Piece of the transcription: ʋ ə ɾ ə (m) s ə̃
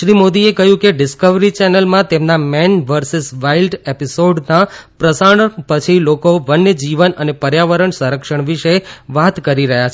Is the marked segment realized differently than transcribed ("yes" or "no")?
yes